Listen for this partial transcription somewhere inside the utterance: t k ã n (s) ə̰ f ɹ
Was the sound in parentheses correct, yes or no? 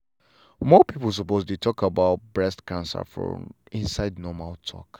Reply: yes